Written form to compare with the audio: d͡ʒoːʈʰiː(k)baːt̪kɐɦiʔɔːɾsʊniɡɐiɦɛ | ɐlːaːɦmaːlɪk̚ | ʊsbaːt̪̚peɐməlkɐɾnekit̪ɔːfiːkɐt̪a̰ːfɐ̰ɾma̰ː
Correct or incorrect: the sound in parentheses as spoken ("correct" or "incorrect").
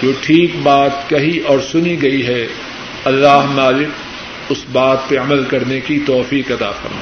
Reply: correct